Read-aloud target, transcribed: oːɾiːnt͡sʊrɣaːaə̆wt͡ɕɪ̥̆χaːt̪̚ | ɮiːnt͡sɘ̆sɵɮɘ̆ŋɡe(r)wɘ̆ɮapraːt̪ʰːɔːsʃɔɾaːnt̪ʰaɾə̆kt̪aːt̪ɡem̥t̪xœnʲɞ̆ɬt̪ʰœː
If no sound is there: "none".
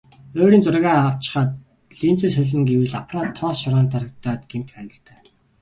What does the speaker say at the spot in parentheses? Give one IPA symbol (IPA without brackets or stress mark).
none